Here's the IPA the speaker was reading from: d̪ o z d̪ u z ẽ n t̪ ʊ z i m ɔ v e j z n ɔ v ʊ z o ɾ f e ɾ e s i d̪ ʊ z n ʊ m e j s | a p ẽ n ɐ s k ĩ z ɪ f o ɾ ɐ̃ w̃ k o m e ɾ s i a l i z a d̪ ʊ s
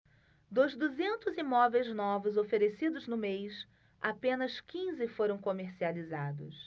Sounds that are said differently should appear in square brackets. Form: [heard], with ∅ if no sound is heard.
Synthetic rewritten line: d̪ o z d̪ u z ẽ n t̪ ʊ z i m ɔ v e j z n ɔ v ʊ z o [∅] f e ɾ e s i d̪ ʊ z n ʊ m e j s | a p ẽ n ɐ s k ĩ z ɪ f o ɾ ɐ̃ w̃ k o m e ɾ s i a l i z a d̪ ʊ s

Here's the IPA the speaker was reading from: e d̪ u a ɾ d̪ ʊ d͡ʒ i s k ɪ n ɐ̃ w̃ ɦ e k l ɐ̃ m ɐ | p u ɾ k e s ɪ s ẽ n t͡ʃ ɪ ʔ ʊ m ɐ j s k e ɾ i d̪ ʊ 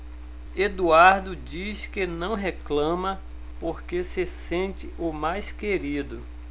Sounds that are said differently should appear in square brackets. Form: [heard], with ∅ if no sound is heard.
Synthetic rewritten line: e d̪ u a ɾ d̪ ʊ d͡ʒ i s k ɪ n ɐ̃ w̃ ɦ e k l ɐ̃ m ɐ | p [o] ɾ k e s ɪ s ẽ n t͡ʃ ɪ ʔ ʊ m [a] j s k e ɾ i d̪ ʊ

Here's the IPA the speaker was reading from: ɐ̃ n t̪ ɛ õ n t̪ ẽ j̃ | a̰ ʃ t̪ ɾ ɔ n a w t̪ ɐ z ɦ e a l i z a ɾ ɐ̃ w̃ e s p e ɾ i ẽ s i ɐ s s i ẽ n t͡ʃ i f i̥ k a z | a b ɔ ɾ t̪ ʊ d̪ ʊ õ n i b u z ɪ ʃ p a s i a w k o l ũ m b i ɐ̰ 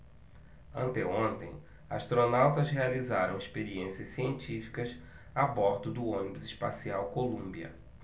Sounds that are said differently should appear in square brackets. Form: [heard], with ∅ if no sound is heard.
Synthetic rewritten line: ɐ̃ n t̪ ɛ õ n t̪ ẽ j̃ | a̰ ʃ t̪ ɾ [o] n a w t̪ ɐ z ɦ e a l i z a ɾ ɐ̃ w̃ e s p e ɾ i ẽ s i ɐ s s i ẽ n t͡ʃ i f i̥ k [ɐ] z | a b ɔ ɾ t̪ ʊ d̪ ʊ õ n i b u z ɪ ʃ p a s i a w k o l ũ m b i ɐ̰

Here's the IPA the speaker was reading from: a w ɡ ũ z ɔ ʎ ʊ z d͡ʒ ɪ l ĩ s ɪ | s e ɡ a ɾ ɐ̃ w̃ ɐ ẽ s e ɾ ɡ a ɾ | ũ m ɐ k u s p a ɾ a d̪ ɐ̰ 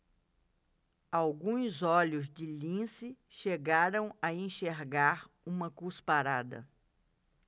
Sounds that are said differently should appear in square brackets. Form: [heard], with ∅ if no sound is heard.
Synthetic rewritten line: a w ɡ ũ z ɔ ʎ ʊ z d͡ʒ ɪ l ĩ s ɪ | [ʃ] e ɡ a ɾ ɐ̃ w̃ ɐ ẽ [ʃ] e ɾ ɡ a ɾ | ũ m ɐ k u s p a ɾ a d̪ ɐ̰

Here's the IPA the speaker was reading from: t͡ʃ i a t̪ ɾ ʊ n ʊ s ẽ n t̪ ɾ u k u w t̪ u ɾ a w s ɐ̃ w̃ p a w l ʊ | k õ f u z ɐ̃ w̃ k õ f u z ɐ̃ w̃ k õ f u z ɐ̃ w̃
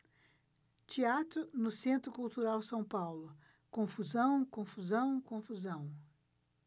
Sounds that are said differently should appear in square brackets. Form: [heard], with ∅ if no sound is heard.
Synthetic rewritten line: t͡ʃ i a t̪ ɾ ʊ n ʊ s ẽ n t̪ ɾ [ʊ] k u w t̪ u ɾ a w s ɐ̃ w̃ p a w l ʊ | k õ f u z ɐ̃ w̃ k õ f u z ɐ̃ w̃ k õ f u z ɐ̃ w̃

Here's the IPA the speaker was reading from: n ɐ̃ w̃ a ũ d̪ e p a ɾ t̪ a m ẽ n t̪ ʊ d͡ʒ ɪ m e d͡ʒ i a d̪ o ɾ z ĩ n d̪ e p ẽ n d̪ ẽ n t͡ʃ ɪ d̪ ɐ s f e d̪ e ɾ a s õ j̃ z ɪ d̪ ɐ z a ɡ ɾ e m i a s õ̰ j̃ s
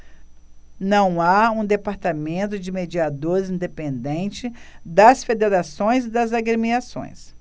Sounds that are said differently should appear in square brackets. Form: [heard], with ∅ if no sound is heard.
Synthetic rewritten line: n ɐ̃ w̃ a ũ d̪ e p a ɾ t̪ a m ẽ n t̪ ʊ d͡ʒ ɪ m e d͡ʒ i a d̪ o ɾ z ĩ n d̪ e p ẽ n d̪ ẽ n t͡ʃ ɪ d̪ ɐ s f e d̪ e ɾ a s õ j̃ z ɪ d̪ ɐ z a ɡ ɾ e m i a s õ̰ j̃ s

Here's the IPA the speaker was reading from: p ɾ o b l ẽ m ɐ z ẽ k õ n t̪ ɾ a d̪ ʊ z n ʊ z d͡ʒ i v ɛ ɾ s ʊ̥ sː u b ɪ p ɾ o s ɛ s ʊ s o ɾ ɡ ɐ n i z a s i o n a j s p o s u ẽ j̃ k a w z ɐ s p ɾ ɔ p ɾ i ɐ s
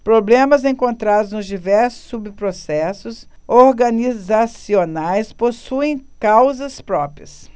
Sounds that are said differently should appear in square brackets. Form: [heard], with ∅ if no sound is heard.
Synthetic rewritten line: p ɾ o b l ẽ m ɐ z ẽ k õ n t̪ ɾ a d̪ ʊ z n ʊ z d͡ʒ i v ɛ ɾ s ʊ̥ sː u b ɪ p ɾ o s ɛ s ʊ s o ɾ ɡ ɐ n i z a s i o n a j s p o s u ẽ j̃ k a w z ɐ s p ɾ ɔ p ɾ i ɐ s

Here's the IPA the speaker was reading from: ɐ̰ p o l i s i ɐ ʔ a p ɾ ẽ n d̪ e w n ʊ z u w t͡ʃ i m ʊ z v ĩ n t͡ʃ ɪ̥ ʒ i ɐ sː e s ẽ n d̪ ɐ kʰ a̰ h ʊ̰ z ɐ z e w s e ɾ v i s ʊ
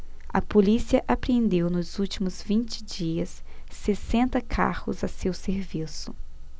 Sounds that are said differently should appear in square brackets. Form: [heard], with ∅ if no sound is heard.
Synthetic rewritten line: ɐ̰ p o l i s i ɐ ʔ a p ɾ ẽ n d̪ e w n ʊ z u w t͡ʃ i m ʊ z v ĩ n t͡ʃ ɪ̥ [d͡ʒ] i ɐ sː e s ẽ n [t̪] ɐ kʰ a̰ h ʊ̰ z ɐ [s] e w s e ɾ v i s ʊ

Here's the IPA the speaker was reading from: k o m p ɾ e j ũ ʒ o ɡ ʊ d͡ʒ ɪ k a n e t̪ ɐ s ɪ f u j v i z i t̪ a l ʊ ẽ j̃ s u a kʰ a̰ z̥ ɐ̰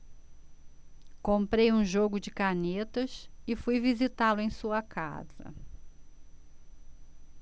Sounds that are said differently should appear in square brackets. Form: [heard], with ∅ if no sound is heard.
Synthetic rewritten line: k [õ] m p ɾ e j ũ ʒ o ɡ ʊ d͡ʒ ɪ k a n e t̪ ɐ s ɪ f u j v i z i t̪ a l ʊ ẽ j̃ s u [ɐ] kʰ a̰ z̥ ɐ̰

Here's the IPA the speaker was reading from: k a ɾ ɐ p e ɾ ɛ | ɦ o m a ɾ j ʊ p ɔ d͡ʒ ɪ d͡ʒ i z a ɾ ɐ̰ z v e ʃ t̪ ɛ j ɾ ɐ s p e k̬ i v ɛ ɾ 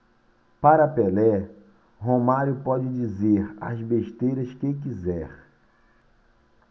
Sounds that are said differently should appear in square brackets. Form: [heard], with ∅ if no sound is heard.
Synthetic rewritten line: [p] a ɾ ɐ p e [l] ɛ | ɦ o m a ɾ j ʊ p ɔ d͡ʒ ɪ d͡ʒ i z [e] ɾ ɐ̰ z [b] e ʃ t̪ [e] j ɾ ɐ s [k] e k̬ i [z] ɛ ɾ

